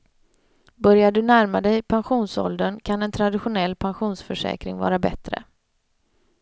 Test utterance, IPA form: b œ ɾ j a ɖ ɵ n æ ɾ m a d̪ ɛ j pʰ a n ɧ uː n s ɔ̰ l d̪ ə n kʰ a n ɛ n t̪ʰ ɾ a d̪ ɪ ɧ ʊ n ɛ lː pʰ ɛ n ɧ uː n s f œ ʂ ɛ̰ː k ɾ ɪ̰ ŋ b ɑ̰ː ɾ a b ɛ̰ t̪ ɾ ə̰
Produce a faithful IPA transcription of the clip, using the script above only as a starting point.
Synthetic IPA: b œ ɾ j a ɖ ɵ n æ ɾ m a d̪ ɛ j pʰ a n ɧ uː n s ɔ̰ l d̪ ə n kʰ a n ɛ n t̪ʰ ɾ a d̪ ɪ ɧ ʊ n ɛ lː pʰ a n ɧ uː n s f œ ʂ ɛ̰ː k ɾ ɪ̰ ŋ v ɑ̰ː ɾ a b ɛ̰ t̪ ɾ ə̰